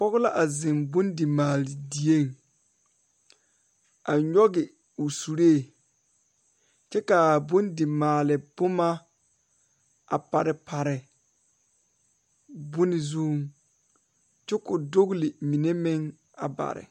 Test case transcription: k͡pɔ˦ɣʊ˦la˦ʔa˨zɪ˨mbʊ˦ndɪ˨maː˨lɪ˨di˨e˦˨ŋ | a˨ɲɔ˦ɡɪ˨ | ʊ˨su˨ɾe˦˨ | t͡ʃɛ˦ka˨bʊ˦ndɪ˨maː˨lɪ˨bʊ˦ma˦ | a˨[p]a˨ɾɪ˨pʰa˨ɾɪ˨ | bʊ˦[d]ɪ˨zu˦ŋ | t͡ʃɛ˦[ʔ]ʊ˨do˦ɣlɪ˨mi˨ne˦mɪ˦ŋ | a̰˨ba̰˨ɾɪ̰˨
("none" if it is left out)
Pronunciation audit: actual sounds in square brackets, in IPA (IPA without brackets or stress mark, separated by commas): p, n, k